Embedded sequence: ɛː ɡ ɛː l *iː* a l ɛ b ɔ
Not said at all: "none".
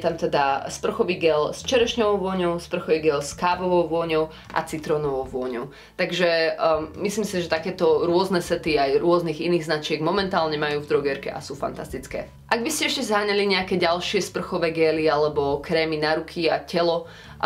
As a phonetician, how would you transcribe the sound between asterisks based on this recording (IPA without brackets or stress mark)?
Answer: i